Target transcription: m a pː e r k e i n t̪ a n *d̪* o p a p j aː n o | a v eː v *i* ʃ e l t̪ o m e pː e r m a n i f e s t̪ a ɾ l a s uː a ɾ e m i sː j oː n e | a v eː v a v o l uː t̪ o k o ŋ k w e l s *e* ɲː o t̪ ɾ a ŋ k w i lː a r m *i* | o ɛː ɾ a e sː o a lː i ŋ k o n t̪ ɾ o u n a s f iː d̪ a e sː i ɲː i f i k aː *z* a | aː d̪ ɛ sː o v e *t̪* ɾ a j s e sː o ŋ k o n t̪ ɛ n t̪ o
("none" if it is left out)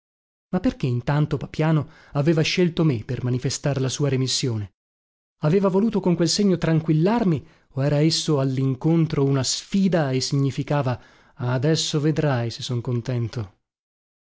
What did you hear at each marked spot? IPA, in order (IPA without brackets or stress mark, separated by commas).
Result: t̪, a, e, i, v, d̪